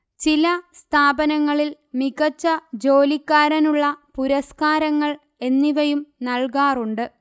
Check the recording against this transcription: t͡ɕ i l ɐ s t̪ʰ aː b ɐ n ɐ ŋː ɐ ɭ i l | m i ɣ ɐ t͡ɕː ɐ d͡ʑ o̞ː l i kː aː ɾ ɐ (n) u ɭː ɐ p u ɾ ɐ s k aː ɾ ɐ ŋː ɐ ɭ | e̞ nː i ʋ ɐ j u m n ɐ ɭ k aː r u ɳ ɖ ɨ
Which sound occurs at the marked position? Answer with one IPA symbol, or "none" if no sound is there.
n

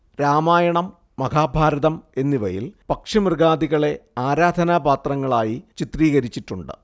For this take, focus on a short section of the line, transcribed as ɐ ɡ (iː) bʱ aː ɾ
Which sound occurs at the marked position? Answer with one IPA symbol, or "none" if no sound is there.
aː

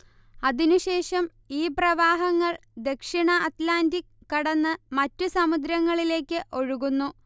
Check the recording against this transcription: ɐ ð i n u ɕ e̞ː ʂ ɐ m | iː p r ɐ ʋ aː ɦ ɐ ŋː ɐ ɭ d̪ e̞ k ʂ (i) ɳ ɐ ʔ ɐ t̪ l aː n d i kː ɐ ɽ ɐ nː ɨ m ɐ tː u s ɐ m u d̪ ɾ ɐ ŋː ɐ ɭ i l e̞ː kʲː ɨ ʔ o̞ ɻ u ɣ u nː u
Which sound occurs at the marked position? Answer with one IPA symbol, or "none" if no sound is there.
i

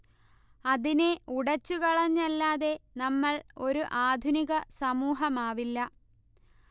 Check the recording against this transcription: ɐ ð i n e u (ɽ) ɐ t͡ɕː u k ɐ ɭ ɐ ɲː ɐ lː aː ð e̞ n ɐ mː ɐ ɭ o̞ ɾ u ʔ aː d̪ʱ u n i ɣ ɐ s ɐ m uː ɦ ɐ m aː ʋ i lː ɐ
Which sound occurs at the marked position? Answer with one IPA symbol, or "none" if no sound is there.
ɽ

